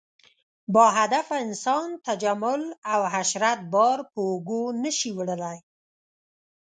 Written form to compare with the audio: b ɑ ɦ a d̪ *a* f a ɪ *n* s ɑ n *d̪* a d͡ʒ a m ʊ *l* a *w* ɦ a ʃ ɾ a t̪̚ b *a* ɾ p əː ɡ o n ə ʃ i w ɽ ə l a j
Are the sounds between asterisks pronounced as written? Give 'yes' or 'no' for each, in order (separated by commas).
yes, yes, no, yes, yes, no